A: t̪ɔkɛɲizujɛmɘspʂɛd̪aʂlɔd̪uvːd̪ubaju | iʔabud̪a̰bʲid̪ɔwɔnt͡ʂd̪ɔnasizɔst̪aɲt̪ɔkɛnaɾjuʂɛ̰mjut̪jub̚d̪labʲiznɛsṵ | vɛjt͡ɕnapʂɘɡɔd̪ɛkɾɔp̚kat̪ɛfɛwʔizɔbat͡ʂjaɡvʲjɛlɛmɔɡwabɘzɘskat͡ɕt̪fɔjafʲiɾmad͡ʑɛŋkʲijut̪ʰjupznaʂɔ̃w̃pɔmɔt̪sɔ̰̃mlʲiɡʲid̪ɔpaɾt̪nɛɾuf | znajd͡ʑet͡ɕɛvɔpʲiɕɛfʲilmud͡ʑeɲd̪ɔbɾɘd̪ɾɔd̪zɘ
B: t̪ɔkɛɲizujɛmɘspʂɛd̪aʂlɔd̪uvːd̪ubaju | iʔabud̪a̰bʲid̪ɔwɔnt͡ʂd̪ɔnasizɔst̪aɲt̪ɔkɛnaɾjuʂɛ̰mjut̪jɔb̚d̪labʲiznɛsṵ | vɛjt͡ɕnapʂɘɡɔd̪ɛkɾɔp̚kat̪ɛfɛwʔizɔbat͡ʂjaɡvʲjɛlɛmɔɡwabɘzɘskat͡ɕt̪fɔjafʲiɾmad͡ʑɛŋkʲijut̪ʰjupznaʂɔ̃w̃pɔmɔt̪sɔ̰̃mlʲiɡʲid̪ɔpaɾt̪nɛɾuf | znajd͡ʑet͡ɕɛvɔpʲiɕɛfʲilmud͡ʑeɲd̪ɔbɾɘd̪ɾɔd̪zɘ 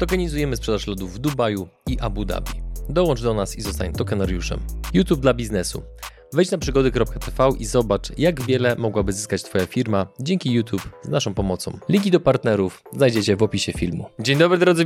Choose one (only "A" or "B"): A